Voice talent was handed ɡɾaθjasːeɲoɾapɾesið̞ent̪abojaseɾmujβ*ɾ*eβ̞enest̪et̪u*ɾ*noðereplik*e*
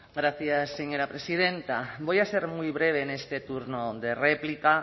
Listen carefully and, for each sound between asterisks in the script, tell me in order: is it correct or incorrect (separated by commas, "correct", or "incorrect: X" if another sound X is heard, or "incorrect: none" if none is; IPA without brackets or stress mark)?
correct, correct, incorrect: a